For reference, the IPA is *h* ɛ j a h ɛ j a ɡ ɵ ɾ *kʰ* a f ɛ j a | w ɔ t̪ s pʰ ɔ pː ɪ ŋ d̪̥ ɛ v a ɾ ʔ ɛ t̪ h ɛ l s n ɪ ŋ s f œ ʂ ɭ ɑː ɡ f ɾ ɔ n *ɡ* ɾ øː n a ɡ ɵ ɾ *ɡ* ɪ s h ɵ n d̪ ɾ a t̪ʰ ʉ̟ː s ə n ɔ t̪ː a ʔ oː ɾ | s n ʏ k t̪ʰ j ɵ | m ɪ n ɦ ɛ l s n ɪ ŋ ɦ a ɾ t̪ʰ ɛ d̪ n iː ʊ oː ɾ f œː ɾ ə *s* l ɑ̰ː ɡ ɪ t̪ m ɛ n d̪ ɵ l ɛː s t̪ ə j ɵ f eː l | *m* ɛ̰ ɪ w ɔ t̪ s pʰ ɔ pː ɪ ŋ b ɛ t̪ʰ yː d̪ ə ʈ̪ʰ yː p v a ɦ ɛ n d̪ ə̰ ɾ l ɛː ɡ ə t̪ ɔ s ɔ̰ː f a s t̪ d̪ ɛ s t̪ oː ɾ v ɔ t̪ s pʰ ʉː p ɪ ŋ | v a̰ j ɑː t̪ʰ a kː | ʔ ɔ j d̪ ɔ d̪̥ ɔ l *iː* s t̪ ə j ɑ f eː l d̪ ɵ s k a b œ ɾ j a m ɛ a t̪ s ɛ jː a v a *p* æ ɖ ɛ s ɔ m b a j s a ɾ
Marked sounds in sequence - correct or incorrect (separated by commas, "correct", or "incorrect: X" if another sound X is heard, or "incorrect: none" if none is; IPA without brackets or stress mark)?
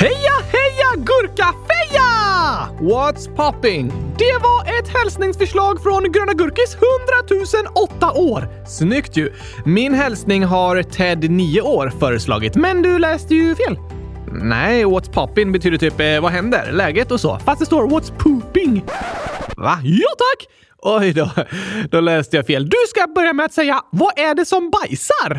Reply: correct, incorrect: k, correct, incorrect: k, correct, incorrect: n, incorrect: ɛː, incorrect: ʔ